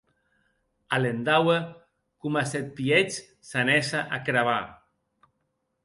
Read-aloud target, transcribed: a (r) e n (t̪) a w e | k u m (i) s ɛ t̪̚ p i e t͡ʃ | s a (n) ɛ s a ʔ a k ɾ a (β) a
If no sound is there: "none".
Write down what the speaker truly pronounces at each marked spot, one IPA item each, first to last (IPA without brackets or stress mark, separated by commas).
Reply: l, d̪, a, n, β